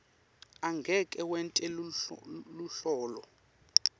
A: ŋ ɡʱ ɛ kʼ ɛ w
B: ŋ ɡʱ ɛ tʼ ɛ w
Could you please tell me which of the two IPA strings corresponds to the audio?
A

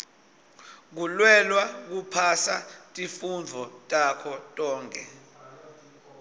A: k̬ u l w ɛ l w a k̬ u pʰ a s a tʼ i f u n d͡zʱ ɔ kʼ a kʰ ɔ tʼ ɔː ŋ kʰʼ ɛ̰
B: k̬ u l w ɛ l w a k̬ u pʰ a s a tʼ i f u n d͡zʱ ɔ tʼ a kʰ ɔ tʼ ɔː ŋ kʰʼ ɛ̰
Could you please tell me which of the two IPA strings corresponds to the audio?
B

